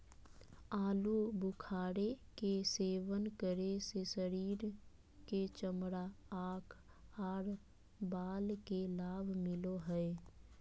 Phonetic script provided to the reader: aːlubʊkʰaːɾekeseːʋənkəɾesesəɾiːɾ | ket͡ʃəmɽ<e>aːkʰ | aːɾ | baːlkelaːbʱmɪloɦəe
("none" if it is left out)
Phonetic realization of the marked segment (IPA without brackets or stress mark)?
a